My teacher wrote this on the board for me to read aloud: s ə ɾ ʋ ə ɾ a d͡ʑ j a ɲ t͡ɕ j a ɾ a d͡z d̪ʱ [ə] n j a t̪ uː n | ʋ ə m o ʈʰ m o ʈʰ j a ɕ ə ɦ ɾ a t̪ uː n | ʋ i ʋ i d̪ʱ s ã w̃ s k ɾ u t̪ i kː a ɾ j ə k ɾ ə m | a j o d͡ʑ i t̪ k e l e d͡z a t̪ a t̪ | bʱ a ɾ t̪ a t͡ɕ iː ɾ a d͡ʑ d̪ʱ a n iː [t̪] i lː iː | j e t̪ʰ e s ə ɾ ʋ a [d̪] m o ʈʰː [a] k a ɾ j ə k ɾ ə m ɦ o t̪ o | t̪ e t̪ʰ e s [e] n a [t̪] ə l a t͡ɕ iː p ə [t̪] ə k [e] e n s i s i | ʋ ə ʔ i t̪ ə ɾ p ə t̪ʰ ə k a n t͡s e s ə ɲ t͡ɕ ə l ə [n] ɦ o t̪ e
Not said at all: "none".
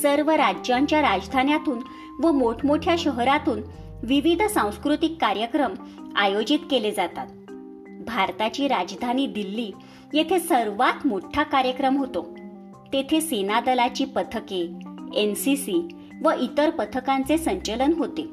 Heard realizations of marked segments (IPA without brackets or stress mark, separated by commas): a, d̪, t̪, a, e, d̪, t̪ʰ, e, n